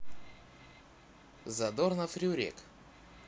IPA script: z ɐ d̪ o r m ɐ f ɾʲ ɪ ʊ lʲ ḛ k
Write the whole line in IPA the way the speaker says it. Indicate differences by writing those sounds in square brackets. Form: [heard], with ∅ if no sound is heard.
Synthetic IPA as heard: z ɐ d̪ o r [n] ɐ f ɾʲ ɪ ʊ [ɾʲ] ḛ k